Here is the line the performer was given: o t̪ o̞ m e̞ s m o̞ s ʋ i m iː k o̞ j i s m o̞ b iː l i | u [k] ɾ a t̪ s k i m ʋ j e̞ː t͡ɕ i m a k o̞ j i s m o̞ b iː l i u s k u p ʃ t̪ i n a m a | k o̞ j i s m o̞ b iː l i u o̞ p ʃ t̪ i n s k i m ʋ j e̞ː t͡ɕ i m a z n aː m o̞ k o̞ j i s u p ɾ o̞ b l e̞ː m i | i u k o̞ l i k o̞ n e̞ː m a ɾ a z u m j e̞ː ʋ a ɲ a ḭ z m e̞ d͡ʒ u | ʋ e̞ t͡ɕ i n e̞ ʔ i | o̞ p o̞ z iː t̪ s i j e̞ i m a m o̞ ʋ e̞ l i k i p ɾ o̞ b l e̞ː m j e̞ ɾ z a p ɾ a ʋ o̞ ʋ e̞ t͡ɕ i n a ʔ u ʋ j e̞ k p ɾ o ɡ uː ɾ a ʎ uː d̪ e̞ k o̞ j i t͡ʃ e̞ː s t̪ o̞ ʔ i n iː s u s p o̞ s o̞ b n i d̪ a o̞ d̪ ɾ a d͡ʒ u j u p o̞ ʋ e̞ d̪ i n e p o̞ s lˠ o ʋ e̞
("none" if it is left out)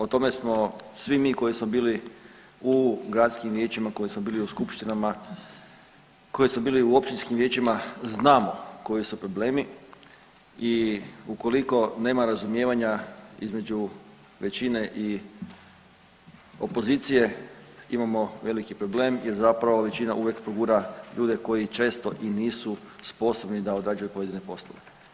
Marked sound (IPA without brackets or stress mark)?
ɡ